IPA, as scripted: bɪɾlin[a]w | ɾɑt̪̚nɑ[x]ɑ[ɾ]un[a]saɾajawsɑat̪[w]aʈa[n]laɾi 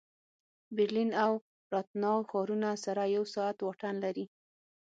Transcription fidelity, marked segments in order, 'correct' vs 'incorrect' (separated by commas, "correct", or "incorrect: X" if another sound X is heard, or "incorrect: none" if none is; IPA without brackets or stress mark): correct, correct, correct, correct, correct, correct